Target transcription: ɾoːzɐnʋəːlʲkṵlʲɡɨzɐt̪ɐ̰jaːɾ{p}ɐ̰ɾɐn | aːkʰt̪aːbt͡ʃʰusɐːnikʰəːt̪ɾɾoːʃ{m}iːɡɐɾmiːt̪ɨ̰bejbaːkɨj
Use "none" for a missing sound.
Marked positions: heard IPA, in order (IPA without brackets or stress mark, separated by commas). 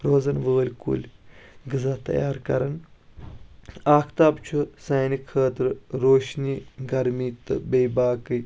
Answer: k, n